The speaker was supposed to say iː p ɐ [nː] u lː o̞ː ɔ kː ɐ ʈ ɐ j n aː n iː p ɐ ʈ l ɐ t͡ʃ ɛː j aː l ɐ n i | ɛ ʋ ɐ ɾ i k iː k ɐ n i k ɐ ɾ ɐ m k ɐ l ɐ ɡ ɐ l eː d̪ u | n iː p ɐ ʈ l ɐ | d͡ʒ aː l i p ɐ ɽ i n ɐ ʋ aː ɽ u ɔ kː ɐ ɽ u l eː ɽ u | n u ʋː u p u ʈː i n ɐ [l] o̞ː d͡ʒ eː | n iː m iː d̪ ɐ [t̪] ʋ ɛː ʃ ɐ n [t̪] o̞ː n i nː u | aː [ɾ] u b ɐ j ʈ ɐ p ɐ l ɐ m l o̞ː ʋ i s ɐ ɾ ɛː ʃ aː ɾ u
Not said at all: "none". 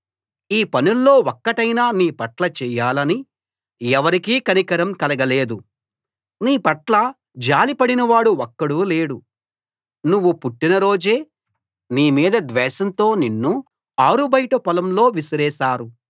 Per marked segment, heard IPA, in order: n, ɾ, d̪, t̪, ɾ

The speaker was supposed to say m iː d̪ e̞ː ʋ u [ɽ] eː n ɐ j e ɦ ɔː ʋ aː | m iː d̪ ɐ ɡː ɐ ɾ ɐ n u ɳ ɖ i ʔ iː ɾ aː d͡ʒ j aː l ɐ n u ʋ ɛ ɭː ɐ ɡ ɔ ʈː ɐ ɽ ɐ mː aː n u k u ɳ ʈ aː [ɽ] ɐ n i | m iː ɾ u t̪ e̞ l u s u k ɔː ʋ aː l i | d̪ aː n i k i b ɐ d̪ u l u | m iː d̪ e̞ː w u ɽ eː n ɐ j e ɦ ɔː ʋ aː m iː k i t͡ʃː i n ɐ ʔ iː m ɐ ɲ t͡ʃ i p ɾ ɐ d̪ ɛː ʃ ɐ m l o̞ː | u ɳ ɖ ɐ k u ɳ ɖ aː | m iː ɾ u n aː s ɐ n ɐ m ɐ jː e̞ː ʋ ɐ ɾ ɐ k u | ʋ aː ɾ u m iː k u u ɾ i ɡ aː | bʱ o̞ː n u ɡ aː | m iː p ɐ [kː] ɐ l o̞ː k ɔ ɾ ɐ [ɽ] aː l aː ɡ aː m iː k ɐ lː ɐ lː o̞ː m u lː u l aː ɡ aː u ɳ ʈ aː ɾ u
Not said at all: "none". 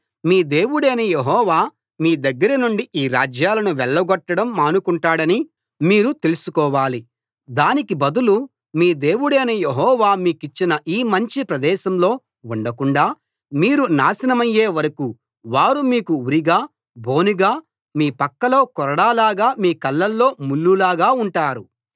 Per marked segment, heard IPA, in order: ɽ, ɽ, kː, ɽ

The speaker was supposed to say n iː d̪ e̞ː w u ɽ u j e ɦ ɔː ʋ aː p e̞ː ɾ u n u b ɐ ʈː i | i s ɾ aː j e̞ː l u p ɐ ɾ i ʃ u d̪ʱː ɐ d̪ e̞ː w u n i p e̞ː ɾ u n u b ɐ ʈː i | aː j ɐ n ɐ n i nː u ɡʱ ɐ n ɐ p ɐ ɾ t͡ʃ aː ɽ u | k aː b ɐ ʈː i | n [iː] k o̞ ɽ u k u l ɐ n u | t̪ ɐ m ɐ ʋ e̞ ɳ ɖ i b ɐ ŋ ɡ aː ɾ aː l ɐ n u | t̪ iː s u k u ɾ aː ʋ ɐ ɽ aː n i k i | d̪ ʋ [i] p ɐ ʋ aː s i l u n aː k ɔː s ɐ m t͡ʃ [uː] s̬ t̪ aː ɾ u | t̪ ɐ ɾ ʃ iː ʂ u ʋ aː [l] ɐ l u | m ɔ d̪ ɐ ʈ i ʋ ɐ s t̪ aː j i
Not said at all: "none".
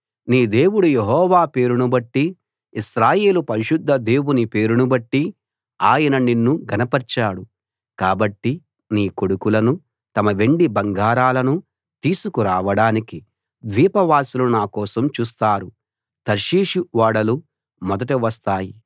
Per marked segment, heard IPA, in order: iː, iː, uː, ɽ

